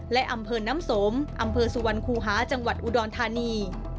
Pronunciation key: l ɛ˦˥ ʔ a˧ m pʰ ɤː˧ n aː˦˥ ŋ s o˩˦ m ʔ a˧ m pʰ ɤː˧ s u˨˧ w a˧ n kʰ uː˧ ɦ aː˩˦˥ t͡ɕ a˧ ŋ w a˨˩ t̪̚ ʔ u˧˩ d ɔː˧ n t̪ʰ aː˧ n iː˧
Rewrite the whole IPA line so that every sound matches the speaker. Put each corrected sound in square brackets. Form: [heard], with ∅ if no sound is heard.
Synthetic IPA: l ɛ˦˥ ʔ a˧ m pʰ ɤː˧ n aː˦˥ [m] s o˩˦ m ʔ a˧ m pʰ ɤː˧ s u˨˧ w a˧ n kʰ uː˧ ɦ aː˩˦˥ t͡ɕ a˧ ŋ w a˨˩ t̪̚ ʔ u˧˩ d ɔː˧ n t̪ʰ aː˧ n iː˧